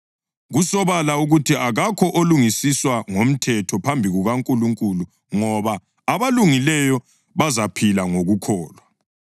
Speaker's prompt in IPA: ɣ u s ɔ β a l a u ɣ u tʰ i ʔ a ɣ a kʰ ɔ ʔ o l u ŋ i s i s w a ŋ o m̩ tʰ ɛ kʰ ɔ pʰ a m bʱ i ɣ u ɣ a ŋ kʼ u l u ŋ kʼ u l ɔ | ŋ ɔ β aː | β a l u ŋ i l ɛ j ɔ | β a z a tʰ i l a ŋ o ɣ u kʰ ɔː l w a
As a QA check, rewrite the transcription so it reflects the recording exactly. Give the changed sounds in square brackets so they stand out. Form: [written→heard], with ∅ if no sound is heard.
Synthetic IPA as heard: ɣ u s ɔ β a l a u ɣ u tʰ i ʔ a ɣ a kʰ ɔ ʔ o l u ŋ i s i s w a ŋ o m̩ tʰ ɛ [kʰ→tʰ] ɔ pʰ a m bʱ i ɣ u ɣ a ŋ kʼ u l u ŋ kʼ u l [ɔ→u] | ŋ ɔ β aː | β a l u ŋ i l ɛ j ɔ | β a z a [tʰ→pʰ] i l a ŋ o ɣ u kʰ ɔː l w a